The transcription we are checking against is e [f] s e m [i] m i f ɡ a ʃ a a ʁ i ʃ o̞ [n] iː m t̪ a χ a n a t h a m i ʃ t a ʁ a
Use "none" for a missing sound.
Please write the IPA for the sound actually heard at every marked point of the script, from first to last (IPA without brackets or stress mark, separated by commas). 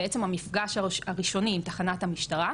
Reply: none, a, n